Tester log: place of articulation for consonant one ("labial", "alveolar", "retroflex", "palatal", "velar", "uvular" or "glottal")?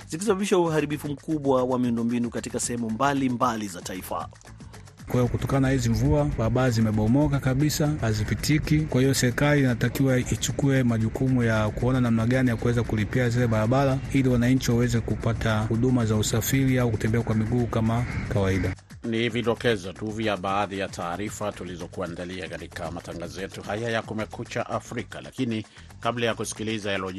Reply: alveolar